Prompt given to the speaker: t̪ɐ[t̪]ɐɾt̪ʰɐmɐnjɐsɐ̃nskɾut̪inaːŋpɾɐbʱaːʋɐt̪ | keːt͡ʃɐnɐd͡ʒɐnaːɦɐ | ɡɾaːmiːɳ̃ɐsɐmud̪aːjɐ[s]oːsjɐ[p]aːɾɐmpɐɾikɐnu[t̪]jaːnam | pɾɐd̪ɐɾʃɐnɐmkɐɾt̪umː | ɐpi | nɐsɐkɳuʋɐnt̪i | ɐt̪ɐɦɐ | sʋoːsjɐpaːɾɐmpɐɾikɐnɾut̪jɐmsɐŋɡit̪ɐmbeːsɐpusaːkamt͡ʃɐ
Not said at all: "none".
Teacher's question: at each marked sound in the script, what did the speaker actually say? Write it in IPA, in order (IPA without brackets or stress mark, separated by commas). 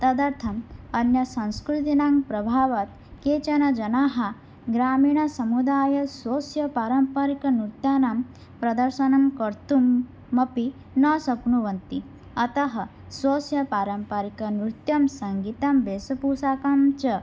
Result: d̪, s, p, t̪